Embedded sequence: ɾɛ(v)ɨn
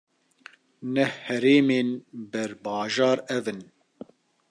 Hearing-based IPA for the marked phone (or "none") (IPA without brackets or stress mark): v